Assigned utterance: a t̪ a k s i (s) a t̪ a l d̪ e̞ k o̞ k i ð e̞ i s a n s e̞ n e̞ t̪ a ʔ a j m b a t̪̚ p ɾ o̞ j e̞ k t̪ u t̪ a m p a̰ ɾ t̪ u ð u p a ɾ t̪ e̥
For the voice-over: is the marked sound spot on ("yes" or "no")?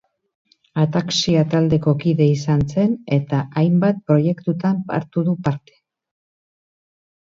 no